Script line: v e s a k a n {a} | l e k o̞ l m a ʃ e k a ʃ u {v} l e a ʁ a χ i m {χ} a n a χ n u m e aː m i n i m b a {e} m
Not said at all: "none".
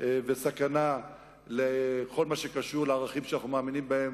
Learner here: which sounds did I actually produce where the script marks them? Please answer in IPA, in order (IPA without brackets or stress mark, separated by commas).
a, ʁ, ʃ, e